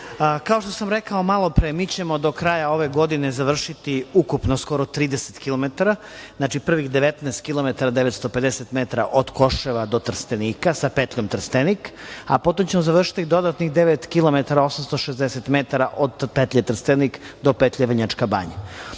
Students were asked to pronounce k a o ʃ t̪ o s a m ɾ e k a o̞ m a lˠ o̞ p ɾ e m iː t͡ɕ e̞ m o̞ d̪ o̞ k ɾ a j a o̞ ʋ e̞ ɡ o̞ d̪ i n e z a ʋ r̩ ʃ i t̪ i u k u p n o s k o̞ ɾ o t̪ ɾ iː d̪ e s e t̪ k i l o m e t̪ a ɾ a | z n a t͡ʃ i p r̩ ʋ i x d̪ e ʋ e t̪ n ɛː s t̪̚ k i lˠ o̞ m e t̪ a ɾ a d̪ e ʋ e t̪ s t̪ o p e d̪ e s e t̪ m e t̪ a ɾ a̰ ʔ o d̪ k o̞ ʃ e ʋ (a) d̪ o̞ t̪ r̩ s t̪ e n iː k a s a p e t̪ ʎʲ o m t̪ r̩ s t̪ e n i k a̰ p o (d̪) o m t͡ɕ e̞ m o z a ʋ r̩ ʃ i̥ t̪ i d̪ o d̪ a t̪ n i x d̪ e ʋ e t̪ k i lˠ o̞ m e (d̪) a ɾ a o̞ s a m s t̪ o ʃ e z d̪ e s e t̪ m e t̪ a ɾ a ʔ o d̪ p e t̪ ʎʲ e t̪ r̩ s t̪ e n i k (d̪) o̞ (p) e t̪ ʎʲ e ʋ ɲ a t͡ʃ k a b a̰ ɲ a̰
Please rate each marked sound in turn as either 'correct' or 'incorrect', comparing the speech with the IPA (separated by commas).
correct, incorrect, incorrect, correct, correct